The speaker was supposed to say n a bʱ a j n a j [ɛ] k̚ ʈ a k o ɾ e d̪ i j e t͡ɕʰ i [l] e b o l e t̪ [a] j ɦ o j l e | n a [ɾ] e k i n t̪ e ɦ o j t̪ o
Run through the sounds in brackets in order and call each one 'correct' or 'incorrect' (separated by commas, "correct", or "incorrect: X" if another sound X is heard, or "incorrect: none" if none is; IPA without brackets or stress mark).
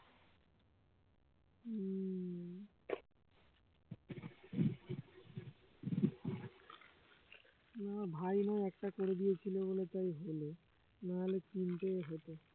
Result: correct, correct, correct, incorrect: l